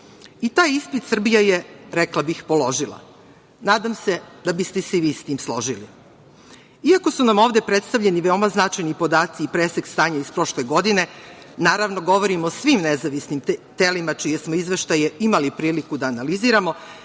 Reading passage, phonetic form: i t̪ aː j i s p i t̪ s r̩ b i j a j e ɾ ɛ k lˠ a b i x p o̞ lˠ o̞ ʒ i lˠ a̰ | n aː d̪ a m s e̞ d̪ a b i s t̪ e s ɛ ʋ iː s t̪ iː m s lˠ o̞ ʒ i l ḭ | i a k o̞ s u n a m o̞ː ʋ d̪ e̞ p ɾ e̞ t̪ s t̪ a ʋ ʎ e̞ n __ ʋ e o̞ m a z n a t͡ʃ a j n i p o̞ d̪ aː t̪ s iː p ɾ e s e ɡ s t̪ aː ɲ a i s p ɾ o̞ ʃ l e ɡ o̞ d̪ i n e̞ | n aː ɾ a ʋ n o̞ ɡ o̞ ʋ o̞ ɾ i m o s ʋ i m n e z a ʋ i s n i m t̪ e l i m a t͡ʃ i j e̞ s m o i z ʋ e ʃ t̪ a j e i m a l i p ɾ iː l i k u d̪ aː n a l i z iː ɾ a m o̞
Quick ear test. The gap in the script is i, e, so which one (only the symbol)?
i